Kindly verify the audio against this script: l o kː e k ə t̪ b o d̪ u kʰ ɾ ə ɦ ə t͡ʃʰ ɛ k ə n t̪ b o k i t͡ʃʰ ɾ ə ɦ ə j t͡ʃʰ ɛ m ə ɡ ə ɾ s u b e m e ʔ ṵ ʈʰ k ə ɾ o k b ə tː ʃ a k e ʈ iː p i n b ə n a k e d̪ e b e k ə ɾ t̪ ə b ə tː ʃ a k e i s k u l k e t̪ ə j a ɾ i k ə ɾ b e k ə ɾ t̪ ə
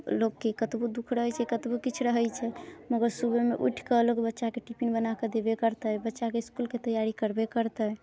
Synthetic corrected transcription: l o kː e k ə t̪ b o d̪ u kʰ ɾ ə ɦ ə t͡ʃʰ ɛ k ə t̪ b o k i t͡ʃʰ ɾ ə ɦ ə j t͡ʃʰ ɛ m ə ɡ ə ɾ s u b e m e ʔ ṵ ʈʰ k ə l o k b ə tː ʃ a k e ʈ i p i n b ə n a k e d̪ e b e k ə ɾ t̪ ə b ə tː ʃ a k e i s k u l k e t̪ ə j a ɾ i k ə ɾ b e k ə ɾ t̪ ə